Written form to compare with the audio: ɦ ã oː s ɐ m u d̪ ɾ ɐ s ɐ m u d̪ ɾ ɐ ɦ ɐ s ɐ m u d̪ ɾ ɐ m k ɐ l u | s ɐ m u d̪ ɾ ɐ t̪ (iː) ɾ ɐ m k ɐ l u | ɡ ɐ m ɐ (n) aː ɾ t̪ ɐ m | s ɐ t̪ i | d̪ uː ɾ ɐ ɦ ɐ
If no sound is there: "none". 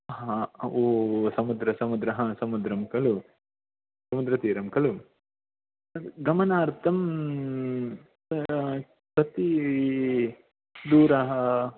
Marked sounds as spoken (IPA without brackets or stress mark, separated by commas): iː, n